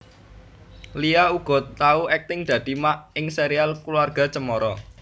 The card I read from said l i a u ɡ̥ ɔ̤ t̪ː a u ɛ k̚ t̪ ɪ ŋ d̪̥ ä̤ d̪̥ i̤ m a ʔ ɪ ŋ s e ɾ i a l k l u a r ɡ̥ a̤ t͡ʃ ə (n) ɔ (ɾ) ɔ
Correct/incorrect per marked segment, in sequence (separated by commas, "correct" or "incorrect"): incorrect, correct